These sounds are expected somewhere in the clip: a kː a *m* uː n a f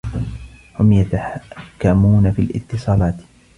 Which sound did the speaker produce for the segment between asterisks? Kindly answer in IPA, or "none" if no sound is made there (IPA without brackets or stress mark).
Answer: m